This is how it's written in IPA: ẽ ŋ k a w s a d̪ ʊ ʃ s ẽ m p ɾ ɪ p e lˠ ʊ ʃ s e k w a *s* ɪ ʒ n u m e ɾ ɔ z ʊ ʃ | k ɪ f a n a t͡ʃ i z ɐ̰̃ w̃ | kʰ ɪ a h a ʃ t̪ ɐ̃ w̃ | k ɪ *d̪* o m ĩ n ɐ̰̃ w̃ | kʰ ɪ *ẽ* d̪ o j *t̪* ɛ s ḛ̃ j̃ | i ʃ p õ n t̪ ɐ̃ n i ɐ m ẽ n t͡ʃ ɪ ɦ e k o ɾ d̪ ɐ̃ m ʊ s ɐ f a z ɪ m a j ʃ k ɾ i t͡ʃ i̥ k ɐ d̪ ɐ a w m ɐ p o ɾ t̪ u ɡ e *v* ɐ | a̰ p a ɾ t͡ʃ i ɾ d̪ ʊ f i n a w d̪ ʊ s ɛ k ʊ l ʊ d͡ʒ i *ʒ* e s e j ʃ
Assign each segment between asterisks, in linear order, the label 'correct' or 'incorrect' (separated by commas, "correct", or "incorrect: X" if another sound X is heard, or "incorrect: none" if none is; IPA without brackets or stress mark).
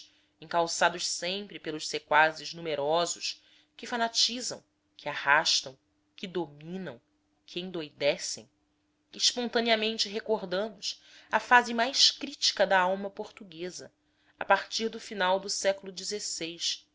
incorrect: z, correct, correct, incorrect: d̪, incorrect: z, incorrect: z